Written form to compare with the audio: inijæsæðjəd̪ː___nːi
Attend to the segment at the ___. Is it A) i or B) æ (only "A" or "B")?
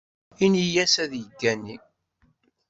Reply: B